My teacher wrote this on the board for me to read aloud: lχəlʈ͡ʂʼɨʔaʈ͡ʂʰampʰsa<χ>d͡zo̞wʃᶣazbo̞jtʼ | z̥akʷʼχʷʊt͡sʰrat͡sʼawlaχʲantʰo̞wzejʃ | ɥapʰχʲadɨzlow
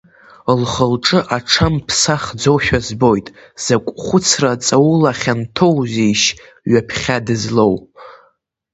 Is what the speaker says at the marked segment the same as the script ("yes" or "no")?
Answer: yes